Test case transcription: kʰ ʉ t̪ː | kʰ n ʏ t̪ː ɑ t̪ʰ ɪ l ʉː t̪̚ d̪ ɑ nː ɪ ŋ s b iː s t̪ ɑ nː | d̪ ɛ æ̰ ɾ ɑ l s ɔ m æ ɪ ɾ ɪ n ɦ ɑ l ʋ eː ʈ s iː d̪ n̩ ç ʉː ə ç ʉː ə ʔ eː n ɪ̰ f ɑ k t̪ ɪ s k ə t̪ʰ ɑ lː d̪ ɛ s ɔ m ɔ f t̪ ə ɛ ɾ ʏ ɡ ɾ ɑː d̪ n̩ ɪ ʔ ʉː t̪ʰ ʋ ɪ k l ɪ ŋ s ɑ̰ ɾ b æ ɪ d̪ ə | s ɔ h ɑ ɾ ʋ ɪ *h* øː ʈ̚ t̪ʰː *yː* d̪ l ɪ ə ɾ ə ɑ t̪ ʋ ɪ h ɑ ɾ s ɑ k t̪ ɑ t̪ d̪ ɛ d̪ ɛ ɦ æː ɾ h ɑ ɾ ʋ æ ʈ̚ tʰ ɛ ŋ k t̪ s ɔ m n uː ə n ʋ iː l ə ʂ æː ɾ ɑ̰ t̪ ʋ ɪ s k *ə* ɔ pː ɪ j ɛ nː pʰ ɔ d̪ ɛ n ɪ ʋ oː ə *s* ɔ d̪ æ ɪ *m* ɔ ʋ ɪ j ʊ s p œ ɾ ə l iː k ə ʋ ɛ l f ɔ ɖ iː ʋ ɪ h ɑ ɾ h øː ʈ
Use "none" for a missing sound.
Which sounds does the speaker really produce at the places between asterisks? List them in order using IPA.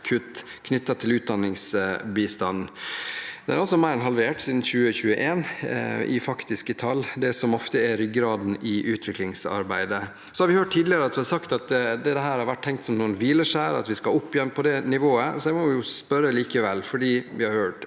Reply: h, iː, ɑ, s, m

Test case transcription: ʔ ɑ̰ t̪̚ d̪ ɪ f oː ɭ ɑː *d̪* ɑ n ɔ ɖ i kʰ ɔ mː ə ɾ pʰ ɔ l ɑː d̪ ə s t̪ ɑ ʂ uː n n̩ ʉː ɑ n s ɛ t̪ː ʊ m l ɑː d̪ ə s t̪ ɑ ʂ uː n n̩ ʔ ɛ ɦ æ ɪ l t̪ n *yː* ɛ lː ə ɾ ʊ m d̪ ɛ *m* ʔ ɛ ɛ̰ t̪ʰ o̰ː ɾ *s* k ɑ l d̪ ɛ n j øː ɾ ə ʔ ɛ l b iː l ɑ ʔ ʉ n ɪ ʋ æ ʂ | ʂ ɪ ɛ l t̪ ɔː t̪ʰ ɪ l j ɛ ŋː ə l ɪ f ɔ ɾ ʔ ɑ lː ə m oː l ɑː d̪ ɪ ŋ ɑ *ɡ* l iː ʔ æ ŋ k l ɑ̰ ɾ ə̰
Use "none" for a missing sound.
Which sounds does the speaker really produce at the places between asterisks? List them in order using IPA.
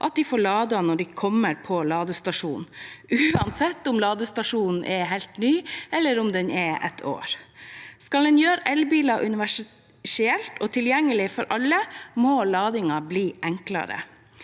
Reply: d̪, yː, n, s, b

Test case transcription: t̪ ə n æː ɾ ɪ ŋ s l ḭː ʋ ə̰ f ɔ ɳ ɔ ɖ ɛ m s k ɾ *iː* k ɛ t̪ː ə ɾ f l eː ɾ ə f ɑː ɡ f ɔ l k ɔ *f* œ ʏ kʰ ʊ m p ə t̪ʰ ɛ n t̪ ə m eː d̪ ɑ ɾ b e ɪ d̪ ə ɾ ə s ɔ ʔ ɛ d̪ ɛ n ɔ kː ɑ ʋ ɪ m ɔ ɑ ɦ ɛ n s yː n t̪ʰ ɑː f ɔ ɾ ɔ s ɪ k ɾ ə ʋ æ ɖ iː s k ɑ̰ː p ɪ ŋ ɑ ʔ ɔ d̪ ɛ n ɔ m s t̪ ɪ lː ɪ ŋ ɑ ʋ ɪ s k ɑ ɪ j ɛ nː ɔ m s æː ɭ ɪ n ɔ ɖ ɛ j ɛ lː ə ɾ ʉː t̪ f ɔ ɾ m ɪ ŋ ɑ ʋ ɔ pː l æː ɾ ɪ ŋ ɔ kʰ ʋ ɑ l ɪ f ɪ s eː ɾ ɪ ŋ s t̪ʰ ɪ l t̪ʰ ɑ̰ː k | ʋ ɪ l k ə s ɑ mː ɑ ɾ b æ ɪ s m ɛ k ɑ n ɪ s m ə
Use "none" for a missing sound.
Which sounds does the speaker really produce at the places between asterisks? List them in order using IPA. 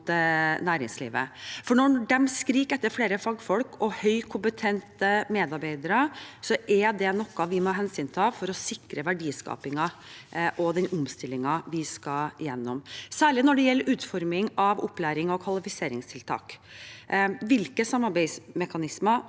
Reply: iː, h

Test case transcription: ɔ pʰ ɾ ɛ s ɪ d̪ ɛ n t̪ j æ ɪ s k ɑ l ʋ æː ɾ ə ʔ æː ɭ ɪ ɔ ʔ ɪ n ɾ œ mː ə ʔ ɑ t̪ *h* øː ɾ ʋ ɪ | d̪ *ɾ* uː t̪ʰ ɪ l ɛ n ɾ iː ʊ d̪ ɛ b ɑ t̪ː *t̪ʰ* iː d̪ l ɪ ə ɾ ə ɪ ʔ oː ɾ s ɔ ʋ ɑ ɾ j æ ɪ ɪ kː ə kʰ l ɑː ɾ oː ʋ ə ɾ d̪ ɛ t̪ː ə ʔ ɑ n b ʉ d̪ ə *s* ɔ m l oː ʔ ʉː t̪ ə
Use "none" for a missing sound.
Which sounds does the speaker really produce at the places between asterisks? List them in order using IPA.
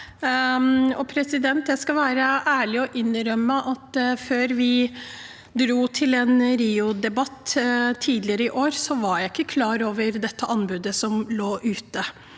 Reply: f, ɾ, t̪ʰ, s

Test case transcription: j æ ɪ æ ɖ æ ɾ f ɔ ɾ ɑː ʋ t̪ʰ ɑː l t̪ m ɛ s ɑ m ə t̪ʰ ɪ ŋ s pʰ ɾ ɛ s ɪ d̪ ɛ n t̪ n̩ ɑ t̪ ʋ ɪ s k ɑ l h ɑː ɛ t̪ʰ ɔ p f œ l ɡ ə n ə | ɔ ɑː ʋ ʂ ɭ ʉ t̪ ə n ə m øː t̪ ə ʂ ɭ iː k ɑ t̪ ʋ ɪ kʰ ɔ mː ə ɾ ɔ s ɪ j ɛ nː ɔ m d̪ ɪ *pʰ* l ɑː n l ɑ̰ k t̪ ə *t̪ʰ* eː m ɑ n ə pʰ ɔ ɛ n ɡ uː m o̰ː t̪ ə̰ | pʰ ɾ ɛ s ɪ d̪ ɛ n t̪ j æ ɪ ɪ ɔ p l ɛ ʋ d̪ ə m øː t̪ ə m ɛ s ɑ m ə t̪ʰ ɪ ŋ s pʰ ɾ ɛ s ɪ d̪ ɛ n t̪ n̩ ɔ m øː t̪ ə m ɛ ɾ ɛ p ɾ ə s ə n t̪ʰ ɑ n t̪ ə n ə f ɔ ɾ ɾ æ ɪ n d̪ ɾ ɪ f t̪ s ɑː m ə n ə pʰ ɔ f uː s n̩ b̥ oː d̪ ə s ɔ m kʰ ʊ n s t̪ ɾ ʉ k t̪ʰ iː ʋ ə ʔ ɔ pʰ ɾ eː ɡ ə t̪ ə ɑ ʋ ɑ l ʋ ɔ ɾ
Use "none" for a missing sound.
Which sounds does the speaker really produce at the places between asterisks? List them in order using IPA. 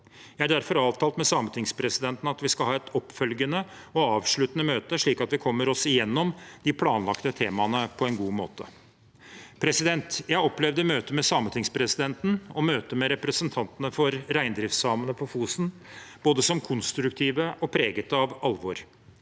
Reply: pʰ, t̪ʰ

